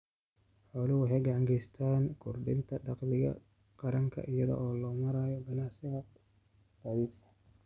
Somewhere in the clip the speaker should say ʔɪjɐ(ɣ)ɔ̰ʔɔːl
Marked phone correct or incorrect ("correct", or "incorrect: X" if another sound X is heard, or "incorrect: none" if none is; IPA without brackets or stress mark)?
incorrect: ð